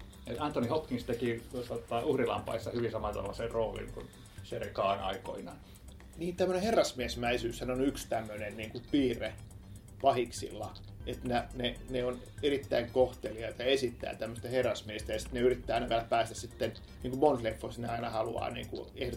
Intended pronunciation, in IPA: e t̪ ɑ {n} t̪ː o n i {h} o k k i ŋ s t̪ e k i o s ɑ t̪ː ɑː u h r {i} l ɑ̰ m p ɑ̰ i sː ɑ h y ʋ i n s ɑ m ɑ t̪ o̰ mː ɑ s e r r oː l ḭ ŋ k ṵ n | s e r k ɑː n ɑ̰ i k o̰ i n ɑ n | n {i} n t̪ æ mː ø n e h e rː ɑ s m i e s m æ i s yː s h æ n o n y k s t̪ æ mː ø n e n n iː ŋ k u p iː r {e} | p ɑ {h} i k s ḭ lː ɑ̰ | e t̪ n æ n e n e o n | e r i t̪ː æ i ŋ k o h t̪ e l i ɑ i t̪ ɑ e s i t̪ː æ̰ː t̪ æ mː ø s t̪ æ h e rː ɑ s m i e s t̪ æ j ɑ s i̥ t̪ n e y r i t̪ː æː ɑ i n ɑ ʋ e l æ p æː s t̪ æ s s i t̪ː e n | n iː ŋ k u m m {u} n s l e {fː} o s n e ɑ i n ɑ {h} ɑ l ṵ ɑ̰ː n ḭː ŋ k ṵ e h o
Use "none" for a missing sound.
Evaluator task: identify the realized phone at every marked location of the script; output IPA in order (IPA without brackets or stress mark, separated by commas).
n, h, i, iː, e, h, o, fː, h